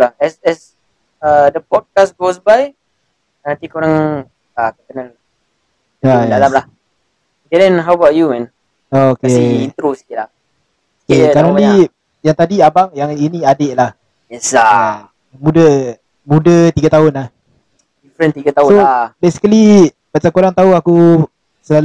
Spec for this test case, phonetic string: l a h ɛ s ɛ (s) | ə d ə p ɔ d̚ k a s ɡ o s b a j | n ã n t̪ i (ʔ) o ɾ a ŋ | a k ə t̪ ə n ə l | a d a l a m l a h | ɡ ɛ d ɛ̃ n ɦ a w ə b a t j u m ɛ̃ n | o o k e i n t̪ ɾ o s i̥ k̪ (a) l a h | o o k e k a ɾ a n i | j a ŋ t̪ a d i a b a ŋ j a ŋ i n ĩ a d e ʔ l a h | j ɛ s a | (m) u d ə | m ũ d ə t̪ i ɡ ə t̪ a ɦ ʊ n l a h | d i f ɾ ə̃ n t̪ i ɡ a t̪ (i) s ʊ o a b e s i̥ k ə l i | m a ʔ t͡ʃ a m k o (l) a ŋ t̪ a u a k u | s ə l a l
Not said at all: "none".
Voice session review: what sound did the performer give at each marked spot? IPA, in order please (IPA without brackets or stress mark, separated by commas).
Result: s, k, i, m, a, ɾ